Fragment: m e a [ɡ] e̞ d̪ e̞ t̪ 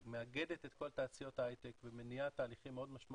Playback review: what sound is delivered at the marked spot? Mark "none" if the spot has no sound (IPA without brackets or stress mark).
ɡ